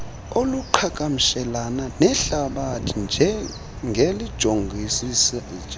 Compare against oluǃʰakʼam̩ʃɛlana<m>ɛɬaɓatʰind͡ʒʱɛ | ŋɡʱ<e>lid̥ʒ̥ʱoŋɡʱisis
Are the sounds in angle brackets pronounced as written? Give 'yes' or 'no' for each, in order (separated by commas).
no, yes